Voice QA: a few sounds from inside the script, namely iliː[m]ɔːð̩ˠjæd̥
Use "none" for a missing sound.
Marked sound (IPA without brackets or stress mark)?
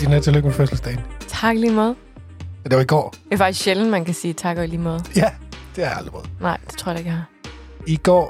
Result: m